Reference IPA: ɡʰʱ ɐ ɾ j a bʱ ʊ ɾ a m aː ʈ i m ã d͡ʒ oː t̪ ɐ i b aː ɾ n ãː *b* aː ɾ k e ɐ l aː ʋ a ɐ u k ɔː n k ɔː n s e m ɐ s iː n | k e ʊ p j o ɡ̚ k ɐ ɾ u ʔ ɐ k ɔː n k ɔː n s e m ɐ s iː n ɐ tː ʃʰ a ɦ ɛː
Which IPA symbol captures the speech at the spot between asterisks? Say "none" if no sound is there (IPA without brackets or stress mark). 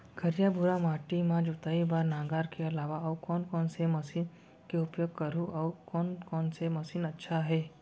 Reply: ɡ